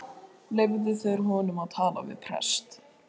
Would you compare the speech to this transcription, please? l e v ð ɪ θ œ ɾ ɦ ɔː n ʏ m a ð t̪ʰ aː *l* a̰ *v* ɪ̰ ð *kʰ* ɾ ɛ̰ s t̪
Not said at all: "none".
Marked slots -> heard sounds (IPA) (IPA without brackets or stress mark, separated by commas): l, v, pʰ